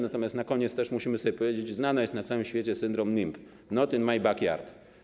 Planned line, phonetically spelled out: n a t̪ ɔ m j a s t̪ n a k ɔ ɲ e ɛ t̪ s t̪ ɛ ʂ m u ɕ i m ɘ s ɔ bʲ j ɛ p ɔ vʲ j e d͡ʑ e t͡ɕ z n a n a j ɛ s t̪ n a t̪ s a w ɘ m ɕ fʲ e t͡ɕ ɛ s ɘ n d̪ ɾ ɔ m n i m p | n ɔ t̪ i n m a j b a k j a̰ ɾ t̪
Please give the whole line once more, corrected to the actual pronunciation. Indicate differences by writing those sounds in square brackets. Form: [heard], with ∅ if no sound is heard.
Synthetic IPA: n a t̪ ɔ m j a s t̪ n a k ɔ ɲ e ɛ t̪ s t̪ ɛ ʂ m u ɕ i m ɘ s ɔ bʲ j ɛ p ɔ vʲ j e d͡ʑ e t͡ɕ z n a n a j ɛ s t̪ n a t̪ s a w ɘ m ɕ fʲ e t͡ɕ ɛ s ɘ n d̪ ɾ ɔ m n i m p | n ɔ t̪ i n m a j b a k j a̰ ɾ t̪